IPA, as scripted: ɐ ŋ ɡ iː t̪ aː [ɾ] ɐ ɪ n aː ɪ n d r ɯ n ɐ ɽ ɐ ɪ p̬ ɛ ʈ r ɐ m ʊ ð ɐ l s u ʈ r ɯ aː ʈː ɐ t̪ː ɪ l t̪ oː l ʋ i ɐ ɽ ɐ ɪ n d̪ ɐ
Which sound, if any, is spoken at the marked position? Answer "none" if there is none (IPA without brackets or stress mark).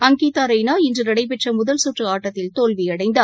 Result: ɾ